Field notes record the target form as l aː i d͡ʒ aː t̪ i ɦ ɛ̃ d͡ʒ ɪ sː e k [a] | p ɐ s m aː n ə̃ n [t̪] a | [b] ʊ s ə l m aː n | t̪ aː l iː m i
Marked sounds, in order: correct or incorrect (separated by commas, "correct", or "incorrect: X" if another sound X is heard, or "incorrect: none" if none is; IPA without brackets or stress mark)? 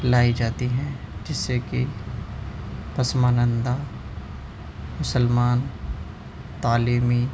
incorrect: i, incorrect: d̪, incorrect: m